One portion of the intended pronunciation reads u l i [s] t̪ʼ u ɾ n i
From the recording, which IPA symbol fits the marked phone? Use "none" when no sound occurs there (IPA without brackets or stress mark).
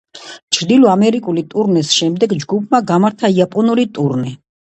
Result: none